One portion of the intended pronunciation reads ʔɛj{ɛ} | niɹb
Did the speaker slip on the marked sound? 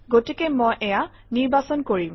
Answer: yes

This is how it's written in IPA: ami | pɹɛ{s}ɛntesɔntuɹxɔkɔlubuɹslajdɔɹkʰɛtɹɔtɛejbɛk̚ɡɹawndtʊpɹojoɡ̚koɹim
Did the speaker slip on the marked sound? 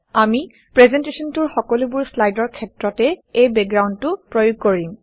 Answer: yes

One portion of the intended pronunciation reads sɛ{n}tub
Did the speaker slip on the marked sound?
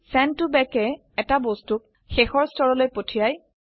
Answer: no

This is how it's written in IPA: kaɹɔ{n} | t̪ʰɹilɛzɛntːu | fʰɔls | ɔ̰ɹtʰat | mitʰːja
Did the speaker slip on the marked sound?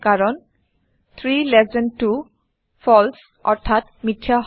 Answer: no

